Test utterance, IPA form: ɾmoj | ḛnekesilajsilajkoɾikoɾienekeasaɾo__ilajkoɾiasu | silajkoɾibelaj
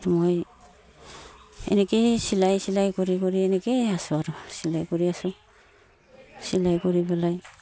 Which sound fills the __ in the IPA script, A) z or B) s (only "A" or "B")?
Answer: B